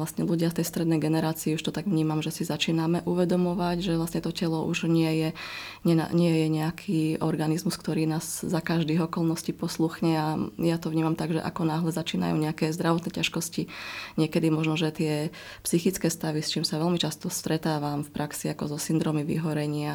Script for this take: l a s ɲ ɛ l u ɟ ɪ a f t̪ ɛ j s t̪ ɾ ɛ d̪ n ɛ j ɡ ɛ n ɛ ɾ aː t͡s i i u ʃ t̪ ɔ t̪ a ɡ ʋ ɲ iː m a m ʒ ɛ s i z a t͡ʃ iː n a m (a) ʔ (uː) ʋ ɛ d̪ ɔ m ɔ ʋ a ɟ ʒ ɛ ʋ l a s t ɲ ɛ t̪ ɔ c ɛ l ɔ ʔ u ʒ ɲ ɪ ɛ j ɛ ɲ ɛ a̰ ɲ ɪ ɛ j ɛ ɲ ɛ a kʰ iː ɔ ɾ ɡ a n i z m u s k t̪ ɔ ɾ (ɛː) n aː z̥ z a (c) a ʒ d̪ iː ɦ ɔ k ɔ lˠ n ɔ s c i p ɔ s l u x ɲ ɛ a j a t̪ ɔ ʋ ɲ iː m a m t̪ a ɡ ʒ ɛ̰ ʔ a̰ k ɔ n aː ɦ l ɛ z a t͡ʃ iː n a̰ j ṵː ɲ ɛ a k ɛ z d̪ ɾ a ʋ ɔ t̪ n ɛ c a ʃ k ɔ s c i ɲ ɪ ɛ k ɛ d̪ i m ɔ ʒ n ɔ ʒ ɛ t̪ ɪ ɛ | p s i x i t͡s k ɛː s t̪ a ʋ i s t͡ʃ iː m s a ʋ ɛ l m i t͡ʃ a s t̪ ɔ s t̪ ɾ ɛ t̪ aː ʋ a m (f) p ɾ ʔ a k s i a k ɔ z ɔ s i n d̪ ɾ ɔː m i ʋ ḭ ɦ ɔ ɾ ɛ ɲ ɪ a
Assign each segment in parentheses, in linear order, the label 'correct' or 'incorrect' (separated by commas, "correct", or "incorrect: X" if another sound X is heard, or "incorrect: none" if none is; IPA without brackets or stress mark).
incorrect: ɛ, incorrect: u, incorrect: iː, incorrect: k, correct